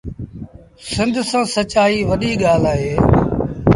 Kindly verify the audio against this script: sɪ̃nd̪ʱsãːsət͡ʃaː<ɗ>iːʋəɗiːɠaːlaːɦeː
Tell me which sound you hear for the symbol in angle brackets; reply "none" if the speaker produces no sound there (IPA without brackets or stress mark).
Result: none